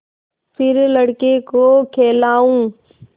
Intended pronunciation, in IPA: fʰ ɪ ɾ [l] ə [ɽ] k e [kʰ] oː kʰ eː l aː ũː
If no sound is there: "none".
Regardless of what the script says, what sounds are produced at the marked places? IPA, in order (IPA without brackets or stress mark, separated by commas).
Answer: l, ɽ, k